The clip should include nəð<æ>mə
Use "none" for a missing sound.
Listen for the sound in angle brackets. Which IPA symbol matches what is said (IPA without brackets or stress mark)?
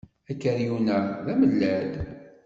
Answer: æ